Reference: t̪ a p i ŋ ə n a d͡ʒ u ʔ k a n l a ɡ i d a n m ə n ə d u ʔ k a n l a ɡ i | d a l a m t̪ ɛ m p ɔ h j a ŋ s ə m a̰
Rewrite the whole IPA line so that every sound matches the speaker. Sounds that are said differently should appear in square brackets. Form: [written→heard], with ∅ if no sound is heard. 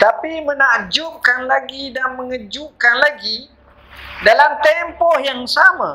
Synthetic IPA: t̪ a p i [ŋ→m] ə n a d͡ʒ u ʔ k a n l a ɡ i d a n m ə [n→ŋ] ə [d→d͡ʒ] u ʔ k a n l a ɡ i | d a l a m t̪ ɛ m p ɔ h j a ŋ s [ə→a] m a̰